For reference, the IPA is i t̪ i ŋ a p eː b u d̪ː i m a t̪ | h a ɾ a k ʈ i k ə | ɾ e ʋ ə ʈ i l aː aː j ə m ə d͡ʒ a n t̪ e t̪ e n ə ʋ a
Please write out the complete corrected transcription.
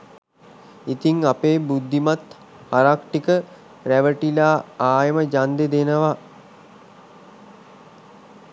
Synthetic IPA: i t̪ i ŋ a p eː b u d̪ː i m a t̪ | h a ɾ a k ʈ i k ə | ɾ æ ʋ ə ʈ i l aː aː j ə m ə d͡ʒ a n d̪ e d̪ e n ə ʋ a